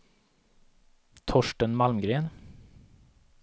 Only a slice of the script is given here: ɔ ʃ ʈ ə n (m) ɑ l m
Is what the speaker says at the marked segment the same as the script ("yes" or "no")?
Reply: yes